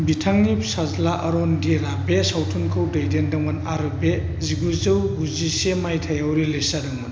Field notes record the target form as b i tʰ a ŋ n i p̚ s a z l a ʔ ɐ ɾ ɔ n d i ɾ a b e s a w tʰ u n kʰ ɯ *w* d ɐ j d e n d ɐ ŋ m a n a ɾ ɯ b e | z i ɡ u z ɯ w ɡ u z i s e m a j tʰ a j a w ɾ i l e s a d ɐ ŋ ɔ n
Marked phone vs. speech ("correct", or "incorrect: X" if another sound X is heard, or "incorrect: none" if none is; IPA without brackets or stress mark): correct